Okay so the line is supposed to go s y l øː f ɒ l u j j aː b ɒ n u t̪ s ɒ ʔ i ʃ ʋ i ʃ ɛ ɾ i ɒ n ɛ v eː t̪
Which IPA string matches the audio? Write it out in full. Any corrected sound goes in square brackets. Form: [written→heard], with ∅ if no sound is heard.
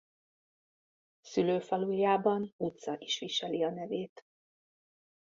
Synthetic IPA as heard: s y l øː f ɒ l u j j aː b ɒ n u t̪ s ɒ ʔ i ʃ ʋ i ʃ ɛ [ɾ→l] i ɒ n ɛ v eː t̪